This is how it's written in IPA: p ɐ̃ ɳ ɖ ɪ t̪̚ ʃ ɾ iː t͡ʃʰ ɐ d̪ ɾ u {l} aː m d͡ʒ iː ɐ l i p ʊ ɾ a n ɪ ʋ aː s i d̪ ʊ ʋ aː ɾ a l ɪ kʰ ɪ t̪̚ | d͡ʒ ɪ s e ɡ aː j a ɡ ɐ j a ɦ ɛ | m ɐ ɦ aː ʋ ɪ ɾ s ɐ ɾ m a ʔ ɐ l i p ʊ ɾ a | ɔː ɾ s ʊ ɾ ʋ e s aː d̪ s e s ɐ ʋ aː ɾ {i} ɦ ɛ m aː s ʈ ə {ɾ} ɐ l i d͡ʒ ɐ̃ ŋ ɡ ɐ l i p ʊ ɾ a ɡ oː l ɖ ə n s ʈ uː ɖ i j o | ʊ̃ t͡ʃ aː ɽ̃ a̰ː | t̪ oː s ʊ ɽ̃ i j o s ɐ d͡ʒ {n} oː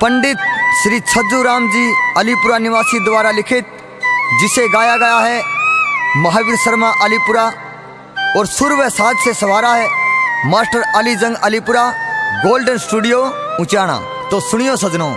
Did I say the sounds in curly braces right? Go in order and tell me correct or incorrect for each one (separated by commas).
incorrect, incorrect, correct, correct